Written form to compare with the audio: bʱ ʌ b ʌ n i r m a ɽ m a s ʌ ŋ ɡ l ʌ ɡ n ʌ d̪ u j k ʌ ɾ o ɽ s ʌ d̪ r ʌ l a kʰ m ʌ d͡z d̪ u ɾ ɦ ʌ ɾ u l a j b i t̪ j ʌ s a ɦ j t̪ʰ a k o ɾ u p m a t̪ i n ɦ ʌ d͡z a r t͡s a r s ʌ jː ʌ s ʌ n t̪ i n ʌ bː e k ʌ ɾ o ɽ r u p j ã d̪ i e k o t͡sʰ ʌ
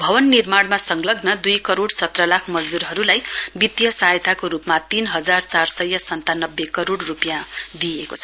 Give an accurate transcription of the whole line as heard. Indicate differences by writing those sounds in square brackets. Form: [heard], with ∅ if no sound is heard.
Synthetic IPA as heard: bʱ ʌ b ʌ [nː] i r m a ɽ m a s ʌ ŋ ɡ l ʌ ɡ n ʌ d̪ u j k ʌ ɾ o ɽ s ʌ [t̪] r ʌ l a kʰ m ʌ d͡z d̪ u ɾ ɦ ʌ ɾ u l a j b i t̪ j ʌ s a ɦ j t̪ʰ a k o ɾ u p m a t̪ i n ɦ ʌ d͡z a r t͡s a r s ʌ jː ʌ s ʌ n t̪ [a] n ʌ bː e k ʌ ɾ o ɽ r u p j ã d̪ i e k o t͡sʰ ʌ